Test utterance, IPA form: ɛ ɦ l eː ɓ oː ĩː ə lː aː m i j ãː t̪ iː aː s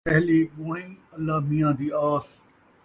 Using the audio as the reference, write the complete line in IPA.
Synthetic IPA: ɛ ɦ l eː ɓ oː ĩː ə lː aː m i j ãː d̪ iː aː s